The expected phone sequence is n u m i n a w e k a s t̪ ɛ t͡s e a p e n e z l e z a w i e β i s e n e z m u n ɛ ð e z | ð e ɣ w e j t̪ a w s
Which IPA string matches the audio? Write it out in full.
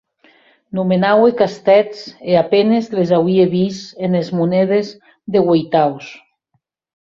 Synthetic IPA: n u m e n a w e k a s t̪ ɛ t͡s e a p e n e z l e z a w i e β i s e n e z m u n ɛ ð e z | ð e ɣ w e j t̪ a w s